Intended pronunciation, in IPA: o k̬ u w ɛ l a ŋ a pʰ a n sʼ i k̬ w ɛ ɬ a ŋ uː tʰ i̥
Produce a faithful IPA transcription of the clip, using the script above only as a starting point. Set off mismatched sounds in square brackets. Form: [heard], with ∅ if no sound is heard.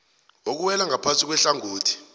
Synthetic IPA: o k̬ u w ɛ l a ŋ a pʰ a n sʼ i k̬ w ɛ ɬ a ŋ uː tʰ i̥